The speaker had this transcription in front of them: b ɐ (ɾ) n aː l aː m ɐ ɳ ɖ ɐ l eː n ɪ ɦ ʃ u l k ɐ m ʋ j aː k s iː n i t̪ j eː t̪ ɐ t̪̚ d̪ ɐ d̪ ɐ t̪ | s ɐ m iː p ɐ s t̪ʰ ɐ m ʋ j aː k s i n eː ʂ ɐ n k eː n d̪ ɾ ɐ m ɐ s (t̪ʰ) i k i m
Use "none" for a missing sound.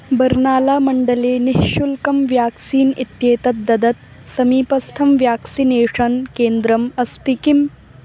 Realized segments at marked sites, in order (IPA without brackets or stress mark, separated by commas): ɾ, t̪